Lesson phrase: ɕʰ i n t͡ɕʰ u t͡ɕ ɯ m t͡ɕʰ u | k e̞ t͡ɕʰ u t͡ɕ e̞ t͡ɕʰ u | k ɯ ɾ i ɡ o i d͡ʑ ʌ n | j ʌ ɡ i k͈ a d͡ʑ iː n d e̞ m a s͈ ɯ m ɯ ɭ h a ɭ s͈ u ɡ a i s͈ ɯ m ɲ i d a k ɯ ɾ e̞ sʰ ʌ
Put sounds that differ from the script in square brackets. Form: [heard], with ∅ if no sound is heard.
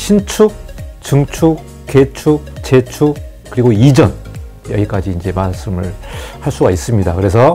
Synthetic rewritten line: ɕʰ i n t͡ɕʰ u t͡ɕ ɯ [ŋ] t͡ɕʰ u | k e̞ t͡ɕʰ u t͡ɕ e̞ t͡ɕʰ u | k ɯ ɾ i ɡ o i d͡ʑ ʌ n | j ʌ ɡ i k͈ a d͡ʑ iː n [d͡ʑ] e̞ m a s͈ ɯ m ɯ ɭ h a ɭ s͈ u ɡ a i s͈ ɯ m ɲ i d a k ɯ ɾ e̞ sʰ ʌ